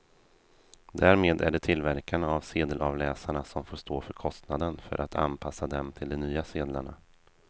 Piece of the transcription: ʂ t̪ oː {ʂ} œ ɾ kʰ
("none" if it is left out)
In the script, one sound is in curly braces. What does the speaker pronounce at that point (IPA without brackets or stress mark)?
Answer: f